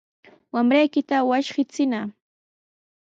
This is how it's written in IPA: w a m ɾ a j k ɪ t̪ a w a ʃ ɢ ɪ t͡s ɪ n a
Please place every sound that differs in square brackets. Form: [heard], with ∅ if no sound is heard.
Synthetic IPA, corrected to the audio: w a m ɾ a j k ɪ t̪ a w a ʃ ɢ ɪ t͡s ɪ n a